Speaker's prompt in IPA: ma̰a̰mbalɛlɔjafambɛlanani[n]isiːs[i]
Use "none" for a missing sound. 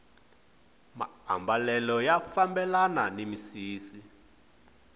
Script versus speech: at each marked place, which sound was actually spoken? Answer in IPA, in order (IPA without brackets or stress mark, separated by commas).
m, i